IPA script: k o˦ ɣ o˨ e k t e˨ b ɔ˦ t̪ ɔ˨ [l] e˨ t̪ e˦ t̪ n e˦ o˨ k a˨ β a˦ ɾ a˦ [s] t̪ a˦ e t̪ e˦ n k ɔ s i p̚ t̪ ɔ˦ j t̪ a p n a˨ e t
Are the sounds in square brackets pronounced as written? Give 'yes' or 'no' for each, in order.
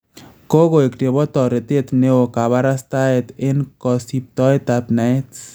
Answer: no, yes

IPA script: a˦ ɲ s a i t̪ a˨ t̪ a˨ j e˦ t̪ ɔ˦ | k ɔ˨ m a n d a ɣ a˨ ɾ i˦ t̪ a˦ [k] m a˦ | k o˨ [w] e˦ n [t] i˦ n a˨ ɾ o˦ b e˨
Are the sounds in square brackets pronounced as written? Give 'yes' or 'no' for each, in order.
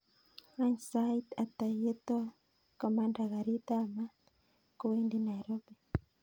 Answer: no, yes, no

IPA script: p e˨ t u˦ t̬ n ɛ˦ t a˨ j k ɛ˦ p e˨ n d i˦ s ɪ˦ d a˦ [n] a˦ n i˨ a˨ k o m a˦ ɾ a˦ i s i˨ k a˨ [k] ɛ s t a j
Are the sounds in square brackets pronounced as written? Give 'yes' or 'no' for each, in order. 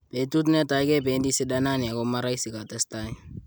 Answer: yes, no

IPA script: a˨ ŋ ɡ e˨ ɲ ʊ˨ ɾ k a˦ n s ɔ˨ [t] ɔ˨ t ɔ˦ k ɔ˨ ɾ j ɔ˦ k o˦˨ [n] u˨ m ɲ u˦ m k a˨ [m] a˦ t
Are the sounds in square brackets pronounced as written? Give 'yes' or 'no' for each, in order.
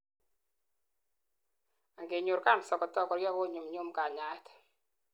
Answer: no, no, no

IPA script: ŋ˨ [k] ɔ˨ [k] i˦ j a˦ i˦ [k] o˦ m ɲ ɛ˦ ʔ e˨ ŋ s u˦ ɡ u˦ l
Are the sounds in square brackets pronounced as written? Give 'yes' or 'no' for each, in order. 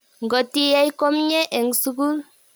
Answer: no, no, yes

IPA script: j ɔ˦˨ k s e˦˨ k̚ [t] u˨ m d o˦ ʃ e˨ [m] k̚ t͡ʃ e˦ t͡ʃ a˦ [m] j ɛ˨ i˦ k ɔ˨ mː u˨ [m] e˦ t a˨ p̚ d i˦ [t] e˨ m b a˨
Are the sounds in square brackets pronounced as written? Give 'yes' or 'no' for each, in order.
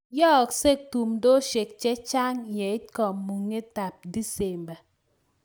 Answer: yes, no, no, no, no

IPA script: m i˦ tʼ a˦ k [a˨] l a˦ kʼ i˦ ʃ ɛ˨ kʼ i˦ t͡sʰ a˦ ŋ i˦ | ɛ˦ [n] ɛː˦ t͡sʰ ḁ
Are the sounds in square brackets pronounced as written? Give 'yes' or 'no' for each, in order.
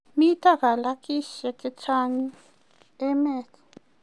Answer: yes, no

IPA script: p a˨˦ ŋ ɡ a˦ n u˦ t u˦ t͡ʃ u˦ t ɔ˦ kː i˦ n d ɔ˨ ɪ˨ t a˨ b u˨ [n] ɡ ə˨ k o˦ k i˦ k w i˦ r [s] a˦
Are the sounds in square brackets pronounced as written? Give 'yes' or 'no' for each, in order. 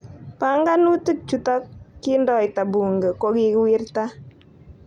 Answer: no, no

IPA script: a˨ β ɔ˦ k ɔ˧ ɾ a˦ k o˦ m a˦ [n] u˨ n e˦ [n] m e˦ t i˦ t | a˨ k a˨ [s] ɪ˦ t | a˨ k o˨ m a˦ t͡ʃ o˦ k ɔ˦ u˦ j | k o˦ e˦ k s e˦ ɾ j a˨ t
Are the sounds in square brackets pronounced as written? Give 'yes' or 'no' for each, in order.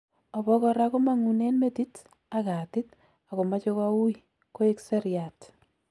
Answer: no, yes, no

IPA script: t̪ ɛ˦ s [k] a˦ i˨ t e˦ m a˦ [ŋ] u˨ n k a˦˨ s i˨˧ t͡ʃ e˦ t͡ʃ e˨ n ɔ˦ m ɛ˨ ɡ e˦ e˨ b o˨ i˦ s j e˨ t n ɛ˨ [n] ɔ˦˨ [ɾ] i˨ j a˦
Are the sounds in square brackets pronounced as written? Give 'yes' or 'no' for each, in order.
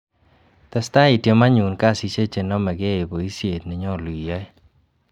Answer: no, no, no, no

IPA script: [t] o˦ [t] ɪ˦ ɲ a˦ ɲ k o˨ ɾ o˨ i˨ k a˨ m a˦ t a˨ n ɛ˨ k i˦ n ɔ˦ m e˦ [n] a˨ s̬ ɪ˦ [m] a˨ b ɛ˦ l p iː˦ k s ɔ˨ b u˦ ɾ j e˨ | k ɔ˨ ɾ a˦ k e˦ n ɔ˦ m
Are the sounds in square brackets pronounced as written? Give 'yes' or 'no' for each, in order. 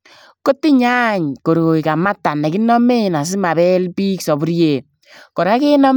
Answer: no, yes, yes, yes

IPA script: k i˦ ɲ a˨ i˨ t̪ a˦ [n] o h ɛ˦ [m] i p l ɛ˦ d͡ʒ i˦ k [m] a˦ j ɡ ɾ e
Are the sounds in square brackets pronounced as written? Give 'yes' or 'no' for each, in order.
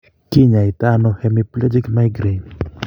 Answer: yes, yes, yes

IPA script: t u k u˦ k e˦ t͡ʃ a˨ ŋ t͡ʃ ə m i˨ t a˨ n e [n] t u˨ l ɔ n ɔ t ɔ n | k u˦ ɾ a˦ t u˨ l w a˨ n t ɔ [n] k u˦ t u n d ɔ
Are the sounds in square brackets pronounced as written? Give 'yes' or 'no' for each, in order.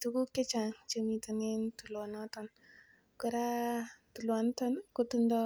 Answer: yes, yes

